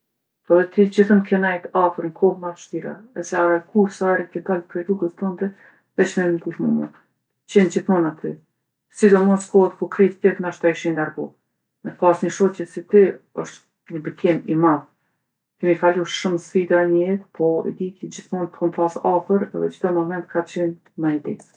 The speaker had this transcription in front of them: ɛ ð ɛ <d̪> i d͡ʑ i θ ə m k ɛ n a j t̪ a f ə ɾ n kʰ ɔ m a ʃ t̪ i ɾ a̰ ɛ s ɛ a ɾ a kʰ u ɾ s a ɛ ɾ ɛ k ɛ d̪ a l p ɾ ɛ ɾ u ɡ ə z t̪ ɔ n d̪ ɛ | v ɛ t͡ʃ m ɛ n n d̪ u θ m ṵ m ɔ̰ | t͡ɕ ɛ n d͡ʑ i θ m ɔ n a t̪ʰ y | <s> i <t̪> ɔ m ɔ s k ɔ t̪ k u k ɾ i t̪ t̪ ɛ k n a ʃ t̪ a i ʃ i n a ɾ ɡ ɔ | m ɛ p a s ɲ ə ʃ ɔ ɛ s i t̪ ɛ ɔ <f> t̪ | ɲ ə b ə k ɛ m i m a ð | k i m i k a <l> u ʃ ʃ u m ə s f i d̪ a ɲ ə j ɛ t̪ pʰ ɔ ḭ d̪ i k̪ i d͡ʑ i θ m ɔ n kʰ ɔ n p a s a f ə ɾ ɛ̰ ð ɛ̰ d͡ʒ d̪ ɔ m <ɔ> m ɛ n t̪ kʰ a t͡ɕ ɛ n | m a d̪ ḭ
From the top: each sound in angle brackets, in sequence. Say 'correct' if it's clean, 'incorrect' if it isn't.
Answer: incorrect: t̪, correct, incorrect: d̪, incorrect: ʃ, correct, correct

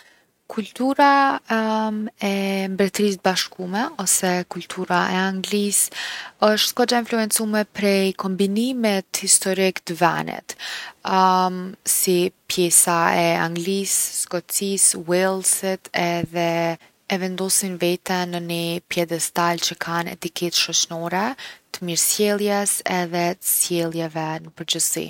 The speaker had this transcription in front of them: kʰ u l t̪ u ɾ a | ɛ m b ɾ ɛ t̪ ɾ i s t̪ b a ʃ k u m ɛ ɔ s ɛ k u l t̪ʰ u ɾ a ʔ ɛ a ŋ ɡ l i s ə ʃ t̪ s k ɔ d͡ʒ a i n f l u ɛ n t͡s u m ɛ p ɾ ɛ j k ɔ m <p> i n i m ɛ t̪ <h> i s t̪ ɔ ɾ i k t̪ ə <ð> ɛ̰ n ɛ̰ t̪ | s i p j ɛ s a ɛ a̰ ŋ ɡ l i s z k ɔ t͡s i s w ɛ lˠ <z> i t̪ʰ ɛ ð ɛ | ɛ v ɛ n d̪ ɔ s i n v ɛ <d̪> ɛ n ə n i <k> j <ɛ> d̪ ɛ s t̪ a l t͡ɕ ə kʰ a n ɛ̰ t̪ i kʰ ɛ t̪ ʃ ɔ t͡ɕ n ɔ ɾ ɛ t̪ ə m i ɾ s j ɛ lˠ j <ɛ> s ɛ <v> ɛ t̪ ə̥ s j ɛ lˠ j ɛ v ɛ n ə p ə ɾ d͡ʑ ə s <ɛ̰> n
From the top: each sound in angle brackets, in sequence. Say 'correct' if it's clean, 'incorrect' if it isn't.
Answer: incorrect: b, correct, incorrect: v, incorrect: s, incorrect: t̪, incorrect: p, correct, correct, incorrect: ð, incorrect: ḭ

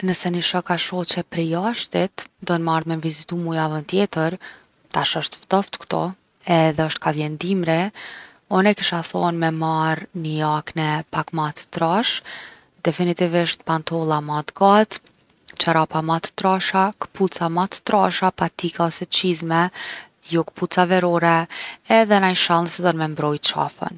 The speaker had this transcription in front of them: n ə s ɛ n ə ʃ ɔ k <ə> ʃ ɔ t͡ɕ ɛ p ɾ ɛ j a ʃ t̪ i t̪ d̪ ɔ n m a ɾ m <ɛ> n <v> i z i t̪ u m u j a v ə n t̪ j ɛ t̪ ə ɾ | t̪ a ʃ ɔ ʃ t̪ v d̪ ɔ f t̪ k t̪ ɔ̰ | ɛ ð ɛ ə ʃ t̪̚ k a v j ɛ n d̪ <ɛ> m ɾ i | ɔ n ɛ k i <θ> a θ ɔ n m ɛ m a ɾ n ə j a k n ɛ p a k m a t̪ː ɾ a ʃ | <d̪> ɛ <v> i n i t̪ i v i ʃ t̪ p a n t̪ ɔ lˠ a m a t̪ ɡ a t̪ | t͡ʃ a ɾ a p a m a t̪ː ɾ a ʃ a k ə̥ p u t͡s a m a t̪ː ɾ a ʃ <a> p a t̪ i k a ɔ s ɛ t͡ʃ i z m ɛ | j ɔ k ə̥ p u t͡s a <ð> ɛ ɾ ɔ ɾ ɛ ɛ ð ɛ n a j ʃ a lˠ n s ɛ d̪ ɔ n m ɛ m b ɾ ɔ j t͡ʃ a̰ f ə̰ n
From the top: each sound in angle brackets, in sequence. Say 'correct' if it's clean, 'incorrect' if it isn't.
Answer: incorrect: a, correct, correct, incorrect: i, incorrect: ʃ, correct, incorrect: f, correct, incorrect: v

